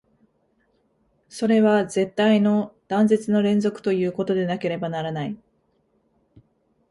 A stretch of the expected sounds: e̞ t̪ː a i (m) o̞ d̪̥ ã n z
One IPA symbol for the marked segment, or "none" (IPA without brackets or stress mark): n